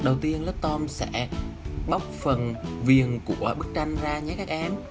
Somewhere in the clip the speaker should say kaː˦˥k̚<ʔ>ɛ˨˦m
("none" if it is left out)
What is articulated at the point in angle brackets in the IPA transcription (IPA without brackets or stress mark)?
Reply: ʔ